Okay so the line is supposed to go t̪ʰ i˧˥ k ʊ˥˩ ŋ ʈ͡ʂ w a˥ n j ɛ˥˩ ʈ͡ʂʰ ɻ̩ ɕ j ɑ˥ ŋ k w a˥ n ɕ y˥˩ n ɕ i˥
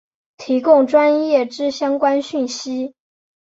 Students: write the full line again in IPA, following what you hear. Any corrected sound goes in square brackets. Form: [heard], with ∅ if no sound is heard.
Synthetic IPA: t̪ʰ i˧˥ k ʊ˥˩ ŋ ʈ͡ʂ w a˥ n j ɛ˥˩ [ʈ͡ʂ] ɻ̩ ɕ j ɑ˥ ŋ k w a˥ n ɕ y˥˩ n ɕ i˥